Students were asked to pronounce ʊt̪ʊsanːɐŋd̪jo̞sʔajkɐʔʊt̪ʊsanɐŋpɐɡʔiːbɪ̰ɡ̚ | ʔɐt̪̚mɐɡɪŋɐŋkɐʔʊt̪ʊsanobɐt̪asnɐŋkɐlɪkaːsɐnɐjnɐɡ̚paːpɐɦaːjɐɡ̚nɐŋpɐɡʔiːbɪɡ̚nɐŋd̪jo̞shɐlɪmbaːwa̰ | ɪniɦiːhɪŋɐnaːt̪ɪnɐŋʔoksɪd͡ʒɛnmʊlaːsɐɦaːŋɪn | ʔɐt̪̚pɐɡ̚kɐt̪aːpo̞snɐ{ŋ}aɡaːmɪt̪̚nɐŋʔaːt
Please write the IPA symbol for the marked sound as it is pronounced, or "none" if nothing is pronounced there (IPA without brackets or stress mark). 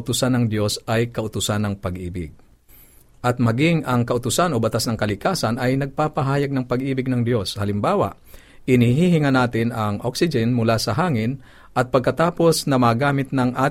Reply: m